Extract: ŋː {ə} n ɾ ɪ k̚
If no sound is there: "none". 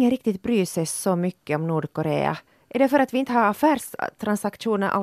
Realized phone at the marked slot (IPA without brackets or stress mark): ə